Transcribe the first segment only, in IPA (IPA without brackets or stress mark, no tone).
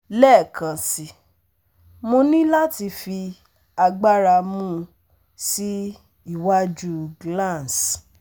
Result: l